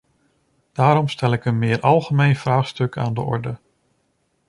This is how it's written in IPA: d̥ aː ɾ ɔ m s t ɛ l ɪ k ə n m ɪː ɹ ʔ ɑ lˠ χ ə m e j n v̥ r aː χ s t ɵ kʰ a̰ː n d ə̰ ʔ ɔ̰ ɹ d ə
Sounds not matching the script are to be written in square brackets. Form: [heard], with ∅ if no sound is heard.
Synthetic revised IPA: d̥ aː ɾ ɔ m s t ɛ l ɪ k ə n m ɪː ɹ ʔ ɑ lˠ χ ə m e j n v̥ r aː χ s t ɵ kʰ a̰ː n d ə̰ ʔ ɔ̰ ɹ d ə